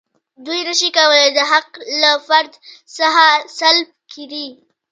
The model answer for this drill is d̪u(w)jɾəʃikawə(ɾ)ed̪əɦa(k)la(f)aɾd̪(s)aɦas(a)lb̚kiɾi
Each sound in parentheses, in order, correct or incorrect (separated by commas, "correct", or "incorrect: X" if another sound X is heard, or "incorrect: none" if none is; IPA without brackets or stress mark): incorrect: none, incorrect: l, incorrect: q, correct, correct, correct